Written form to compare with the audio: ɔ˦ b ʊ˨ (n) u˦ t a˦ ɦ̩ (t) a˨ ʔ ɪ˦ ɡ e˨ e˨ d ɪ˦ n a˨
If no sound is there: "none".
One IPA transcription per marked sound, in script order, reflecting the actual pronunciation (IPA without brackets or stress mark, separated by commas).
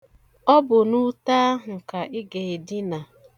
n, k